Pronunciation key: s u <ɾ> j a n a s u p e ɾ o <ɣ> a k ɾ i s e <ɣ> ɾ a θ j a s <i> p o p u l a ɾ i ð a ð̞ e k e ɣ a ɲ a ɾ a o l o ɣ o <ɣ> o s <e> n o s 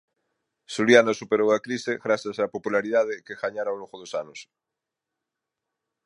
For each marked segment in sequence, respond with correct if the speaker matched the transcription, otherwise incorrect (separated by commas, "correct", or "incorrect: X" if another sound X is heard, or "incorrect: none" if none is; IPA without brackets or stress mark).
incorrect: l, incorrect: w, correct, incorrect: a, incorrect: ð, incorrect: a